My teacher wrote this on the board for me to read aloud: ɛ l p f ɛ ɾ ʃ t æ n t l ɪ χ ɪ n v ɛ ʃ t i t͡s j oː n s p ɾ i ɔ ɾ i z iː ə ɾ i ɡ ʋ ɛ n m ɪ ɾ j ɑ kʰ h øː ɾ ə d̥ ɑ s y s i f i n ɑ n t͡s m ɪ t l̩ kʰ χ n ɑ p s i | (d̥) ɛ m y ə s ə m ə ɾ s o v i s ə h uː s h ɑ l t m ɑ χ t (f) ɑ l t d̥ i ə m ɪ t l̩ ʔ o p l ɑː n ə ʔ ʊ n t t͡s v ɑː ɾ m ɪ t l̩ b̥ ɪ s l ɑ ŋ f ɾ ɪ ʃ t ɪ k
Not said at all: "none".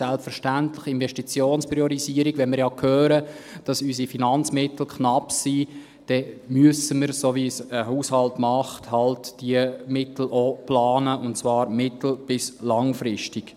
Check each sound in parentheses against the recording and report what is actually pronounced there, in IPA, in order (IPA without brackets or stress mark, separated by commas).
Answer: d̥, h